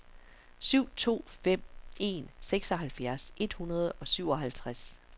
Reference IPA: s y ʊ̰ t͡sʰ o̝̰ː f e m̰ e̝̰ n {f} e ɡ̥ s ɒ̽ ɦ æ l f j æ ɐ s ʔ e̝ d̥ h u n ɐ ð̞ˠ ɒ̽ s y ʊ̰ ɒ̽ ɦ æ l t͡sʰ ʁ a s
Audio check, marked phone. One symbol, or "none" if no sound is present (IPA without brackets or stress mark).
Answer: s